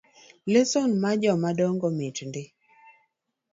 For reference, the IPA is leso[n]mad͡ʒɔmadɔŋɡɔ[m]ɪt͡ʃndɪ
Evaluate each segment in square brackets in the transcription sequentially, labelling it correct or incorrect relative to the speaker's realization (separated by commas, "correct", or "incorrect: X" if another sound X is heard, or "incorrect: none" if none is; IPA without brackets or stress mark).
correct, correct